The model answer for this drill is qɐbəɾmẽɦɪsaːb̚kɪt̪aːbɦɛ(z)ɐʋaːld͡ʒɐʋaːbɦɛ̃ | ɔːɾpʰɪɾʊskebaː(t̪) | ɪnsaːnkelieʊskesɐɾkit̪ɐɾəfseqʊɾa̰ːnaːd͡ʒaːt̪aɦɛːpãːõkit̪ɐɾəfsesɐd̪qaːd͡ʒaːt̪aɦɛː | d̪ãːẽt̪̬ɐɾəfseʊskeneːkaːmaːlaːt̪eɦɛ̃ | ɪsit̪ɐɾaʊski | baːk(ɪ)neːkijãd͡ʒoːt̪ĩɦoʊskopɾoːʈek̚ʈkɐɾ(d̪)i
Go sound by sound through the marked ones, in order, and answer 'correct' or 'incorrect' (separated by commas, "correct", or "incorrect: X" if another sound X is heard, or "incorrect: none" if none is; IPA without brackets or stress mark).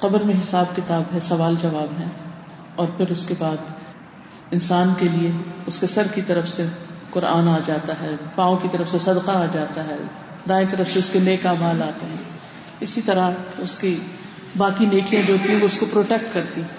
incorrect: s, incorrect: d̪, incorrect: i, incorrect: t̪